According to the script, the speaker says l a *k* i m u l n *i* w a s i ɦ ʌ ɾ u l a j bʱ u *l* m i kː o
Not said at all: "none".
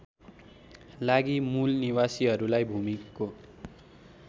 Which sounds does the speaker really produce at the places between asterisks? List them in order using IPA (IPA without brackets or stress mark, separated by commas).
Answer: ɡ, i, none